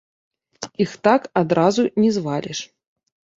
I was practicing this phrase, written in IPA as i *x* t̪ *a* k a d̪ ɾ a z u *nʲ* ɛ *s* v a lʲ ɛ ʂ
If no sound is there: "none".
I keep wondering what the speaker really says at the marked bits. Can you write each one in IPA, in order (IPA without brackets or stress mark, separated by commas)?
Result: x, a, nʲ, z